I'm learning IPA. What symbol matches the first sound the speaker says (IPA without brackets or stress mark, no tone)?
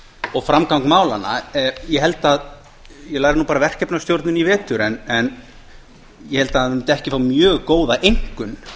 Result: ɔ